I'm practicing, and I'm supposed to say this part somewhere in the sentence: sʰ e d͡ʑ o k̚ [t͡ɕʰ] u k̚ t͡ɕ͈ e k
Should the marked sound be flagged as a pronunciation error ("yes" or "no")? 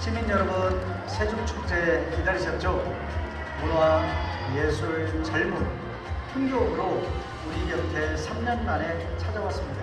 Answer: no